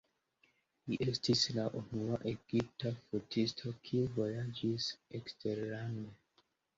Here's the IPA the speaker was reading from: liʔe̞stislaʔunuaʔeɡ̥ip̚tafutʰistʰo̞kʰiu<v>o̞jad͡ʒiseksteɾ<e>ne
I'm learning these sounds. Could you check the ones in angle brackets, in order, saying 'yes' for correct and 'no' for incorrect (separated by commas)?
yes, no